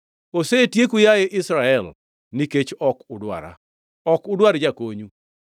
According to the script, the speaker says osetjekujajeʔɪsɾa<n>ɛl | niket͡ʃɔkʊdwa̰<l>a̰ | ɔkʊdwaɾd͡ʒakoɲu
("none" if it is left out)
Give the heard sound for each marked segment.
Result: none, ɾ

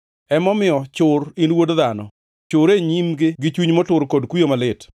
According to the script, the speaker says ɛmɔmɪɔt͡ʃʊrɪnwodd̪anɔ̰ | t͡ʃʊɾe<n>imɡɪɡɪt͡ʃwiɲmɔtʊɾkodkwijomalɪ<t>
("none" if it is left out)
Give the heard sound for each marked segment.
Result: ɲ, t

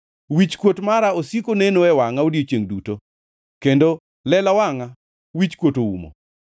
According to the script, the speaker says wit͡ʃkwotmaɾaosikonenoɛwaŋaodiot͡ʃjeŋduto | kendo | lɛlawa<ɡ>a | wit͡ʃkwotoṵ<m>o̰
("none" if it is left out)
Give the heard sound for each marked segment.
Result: ŋ, m

